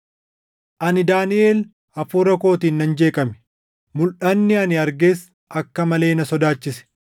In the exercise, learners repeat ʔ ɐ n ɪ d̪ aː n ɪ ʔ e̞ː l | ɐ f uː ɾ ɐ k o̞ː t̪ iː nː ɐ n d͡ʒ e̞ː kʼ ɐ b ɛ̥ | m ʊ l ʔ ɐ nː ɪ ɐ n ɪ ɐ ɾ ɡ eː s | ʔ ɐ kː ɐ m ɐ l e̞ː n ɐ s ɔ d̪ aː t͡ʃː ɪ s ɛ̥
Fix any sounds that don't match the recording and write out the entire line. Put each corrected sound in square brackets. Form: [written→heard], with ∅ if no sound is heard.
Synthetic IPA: ʔ ɐ n ɪ d̪ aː n ɪ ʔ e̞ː l | ɐ f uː ɾ ɐ k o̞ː t̪ iː nː ɐ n d͡ʒ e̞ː kʼ ɐ [b→m] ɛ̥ | m ʊ l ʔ ɐ nː ɪ ɐ n ɪ ɐ ɾ ɡ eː s | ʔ ɐ kː ɐ m ɐ l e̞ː n ɐ s ɔ d̪ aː t͡ʃː ɪ s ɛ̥